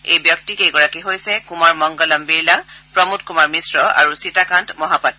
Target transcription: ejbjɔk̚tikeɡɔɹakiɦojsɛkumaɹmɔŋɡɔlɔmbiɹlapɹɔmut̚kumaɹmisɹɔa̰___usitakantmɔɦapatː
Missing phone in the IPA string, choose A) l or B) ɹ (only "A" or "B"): B